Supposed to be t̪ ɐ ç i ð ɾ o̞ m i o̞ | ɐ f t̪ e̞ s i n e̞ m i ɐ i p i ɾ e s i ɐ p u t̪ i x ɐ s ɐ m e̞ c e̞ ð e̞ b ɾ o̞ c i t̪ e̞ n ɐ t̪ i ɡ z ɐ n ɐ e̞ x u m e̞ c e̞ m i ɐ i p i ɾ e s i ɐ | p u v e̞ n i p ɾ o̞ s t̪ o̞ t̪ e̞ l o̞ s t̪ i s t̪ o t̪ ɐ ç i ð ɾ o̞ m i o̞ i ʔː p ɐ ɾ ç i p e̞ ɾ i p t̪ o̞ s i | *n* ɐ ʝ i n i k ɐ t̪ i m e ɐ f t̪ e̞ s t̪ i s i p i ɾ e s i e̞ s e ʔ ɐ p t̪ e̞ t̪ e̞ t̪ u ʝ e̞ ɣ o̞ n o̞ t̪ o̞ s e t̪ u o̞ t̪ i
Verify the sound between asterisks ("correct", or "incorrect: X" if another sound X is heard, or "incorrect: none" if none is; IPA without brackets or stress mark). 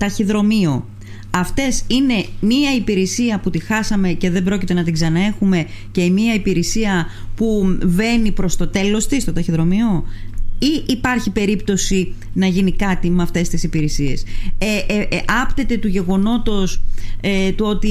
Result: correct